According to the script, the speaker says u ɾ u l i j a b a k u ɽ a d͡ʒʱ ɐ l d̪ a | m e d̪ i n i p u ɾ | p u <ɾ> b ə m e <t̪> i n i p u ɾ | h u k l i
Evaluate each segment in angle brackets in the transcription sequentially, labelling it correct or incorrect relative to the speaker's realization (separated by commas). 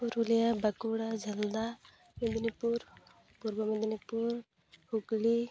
correct, incorrect